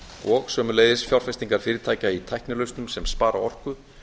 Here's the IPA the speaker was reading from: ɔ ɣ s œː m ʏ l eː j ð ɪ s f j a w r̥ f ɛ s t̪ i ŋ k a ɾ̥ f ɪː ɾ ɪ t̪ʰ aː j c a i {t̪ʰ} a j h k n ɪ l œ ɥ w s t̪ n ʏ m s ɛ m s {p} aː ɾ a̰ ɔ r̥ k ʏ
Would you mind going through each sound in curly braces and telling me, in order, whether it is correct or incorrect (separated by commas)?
correct, correct